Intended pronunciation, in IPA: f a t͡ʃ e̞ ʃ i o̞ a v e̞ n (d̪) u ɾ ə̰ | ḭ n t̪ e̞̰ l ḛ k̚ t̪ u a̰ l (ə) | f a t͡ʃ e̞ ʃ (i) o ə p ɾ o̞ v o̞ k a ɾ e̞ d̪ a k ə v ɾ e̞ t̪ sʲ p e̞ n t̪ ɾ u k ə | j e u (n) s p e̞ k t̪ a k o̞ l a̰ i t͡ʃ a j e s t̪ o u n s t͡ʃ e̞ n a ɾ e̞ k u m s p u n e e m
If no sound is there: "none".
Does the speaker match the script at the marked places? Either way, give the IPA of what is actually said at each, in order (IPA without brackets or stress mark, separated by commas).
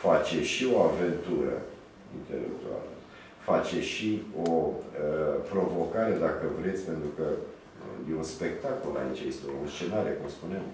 t̪, ə, i, n